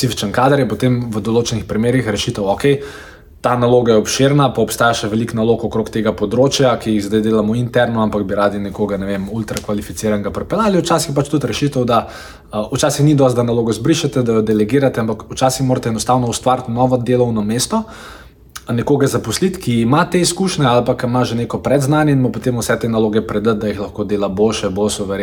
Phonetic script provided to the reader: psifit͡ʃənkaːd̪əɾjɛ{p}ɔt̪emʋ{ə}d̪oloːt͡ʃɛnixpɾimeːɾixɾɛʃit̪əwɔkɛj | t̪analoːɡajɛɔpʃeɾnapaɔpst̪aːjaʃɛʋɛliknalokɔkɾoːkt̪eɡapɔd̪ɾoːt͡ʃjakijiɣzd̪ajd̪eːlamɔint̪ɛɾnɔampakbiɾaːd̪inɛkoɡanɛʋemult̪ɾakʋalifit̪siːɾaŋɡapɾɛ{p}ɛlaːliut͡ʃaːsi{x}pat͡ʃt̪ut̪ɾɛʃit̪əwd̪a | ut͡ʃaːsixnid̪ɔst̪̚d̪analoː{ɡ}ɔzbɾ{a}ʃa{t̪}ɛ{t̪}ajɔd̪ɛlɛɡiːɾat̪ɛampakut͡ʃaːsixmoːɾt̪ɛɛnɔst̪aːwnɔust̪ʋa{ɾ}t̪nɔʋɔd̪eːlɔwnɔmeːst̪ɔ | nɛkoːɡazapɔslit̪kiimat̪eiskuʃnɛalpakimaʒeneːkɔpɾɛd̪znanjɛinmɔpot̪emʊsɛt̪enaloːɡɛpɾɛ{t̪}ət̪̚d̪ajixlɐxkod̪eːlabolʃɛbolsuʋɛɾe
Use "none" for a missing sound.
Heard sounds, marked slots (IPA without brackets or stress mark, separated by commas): p, ə, p, x, ɡ, i, t̪, d̪, ɾ, d̪